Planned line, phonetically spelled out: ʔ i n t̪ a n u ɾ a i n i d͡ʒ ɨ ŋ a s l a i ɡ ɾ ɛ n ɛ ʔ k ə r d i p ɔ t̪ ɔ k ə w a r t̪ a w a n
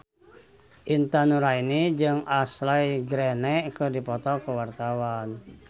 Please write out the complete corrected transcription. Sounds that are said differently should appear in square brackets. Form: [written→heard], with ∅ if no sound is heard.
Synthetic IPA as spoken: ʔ i n t̪ a n u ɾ a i n i d͡ʒ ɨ ŋ a s l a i ɡ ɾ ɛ n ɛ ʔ k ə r d i p ɔ t̪ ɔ k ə w a r t̪ a w a n